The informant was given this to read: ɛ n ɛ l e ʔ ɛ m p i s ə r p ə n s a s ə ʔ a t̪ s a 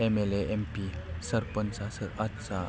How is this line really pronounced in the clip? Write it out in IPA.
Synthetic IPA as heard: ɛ m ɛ l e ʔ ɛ m p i s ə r p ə n s a s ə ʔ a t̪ s a